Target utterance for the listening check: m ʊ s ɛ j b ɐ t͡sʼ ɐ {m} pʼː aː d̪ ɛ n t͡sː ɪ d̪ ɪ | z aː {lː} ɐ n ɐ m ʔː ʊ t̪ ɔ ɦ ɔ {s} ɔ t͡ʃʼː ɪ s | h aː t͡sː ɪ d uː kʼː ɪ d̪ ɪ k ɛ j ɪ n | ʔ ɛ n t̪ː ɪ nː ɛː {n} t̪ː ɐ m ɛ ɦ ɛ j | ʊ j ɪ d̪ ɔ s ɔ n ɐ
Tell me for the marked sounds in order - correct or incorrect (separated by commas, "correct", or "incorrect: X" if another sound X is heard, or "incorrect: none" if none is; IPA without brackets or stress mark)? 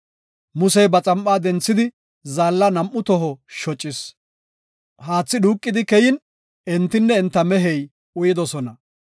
correct, correct, incorrect: ʃ, correct